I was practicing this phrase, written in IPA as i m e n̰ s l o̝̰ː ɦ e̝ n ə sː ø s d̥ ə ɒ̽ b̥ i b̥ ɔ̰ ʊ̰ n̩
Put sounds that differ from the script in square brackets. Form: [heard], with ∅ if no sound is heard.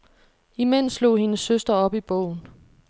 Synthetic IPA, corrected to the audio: i m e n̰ s l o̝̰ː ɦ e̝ n ə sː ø s d̥ [ɐ] ɒ̽ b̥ i b̥ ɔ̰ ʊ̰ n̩